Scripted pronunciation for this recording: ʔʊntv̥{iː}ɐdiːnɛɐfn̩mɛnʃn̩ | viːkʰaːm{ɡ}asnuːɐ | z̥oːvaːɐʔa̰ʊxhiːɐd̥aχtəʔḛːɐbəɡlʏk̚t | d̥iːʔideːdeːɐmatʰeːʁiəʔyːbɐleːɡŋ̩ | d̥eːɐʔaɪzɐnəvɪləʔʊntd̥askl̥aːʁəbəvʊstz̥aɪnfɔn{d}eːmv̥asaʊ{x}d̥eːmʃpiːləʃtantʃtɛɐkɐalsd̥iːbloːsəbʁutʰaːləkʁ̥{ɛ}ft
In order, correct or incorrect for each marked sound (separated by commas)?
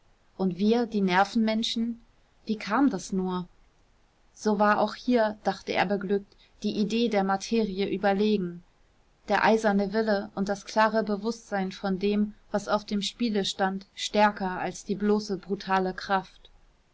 correct, incorrect, correct, incorrect, incorrect